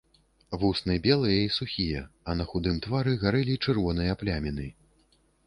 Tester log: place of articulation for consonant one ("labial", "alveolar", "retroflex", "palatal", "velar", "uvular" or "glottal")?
labial